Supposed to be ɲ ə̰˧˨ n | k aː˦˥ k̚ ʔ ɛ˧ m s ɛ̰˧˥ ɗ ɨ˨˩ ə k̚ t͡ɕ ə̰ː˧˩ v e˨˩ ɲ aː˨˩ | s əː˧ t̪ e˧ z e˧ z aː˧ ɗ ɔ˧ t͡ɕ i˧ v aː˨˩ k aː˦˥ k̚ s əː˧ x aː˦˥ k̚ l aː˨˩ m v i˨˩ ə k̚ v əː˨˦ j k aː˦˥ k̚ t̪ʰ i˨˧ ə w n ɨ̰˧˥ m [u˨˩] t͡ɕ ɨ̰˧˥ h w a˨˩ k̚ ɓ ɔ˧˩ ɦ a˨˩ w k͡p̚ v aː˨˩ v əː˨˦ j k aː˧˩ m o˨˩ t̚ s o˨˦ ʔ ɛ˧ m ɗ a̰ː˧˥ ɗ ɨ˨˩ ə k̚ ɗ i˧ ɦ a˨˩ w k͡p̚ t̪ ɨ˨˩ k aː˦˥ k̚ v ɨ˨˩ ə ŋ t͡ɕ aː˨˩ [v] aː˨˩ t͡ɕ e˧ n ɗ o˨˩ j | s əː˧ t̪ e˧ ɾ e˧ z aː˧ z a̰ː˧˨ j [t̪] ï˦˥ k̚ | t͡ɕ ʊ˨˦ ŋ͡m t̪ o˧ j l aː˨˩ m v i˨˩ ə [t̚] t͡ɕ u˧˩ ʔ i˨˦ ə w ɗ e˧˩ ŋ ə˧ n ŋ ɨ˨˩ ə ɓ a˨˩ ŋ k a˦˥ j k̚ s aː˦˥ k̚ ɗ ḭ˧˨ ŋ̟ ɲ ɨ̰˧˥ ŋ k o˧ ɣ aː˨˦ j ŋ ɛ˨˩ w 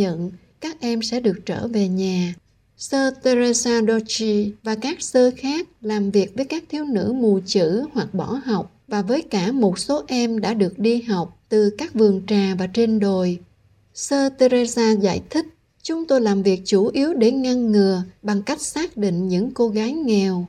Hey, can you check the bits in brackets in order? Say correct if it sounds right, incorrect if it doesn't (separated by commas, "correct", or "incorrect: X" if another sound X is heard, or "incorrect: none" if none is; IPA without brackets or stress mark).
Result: correct, correct, incorrect: t̪ʰ, incorrect: k̚